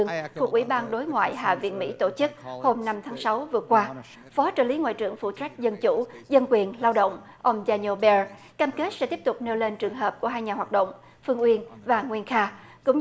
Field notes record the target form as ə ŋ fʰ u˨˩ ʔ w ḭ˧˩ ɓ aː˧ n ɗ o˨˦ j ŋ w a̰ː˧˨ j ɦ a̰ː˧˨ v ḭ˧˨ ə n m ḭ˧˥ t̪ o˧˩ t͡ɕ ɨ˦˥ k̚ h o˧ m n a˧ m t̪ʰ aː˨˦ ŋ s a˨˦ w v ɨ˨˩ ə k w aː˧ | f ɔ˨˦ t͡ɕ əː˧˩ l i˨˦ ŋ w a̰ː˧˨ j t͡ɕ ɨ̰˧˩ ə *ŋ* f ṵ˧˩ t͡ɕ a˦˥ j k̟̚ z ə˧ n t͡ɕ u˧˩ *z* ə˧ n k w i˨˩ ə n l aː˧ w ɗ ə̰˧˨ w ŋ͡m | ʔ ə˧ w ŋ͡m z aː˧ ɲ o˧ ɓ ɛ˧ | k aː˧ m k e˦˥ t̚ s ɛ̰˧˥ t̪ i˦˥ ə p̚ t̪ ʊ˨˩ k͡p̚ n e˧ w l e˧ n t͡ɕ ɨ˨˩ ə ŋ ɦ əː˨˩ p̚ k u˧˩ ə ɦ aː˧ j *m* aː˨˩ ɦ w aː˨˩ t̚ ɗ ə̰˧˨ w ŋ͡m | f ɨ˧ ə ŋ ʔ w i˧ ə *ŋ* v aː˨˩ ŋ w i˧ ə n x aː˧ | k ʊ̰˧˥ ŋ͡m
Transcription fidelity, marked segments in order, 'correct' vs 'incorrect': correct, correct, incorrect: ɲ, incorrect: n

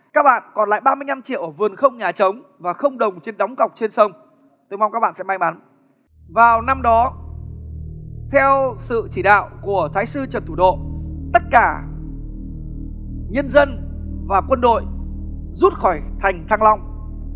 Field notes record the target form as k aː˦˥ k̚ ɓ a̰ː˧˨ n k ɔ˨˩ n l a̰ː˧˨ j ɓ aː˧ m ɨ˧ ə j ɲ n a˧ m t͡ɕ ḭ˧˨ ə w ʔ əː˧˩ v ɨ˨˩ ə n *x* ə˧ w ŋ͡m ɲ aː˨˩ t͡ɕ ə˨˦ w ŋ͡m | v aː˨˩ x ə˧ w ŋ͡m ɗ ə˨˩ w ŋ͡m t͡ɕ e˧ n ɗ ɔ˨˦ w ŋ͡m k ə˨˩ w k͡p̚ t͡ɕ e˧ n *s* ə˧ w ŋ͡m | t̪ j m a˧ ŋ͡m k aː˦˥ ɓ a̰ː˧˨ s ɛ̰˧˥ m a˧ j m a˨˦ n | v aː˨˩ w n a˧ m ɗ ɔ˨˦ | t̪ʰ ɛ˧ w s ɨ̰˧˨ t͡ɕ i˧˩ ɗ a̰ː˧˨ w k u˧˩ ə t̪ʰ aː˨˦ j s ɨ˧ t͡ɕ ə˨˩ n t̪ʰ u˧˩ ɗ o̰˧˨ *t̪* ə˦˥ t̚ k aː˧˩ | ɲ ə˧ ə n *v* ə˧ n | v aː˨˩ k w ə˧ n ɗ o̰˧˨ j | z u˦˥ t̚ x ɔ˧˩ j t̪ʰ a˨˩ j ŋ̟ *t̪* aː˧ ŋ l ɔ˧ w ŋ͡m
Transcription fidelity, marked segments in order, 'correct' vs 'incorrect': correct, correct, correct, incorrect: z, incorrect: t̪ʰ

